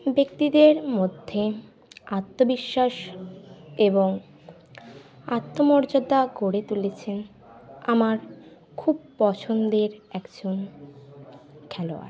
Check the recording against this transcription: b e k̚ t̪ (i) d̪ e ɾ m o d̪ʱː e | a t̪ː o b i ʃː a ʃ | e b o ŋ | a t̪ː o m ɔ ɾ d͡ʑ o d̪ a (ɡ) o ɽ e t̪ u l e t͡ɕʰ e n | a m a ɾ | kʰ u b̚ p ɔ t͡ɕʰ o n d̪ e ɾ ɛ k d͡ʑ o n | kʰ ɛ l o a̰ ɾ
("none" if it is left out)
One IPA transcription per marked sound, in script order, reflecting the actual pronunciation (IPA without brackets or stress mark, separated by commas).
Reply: i, ɡ